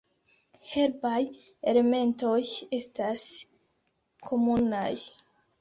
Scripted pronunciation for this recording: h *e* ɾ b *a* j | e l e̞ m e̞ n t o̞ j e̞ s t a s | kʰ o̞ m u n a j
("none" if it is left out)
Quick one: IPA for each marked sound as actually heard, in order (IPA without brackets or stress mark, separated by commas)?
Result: e, a